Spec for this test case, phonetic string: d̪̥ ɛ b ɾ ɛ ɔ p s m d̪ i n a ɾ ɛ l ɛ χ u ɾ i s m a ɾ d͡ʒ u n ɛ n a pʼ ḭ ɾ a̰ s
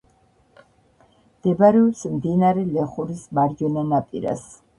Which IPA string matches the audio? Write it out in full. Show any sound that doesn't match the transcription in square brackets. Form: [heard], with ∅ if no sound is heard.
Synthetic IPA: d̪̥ ɛ b ɾ ɛ ɔ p s m d̪ i n a ɾ ɛ l ɛ χ u ɾ i s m a ɾ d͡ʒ [ɔ] n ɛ n a pʼ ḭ ɾ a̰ s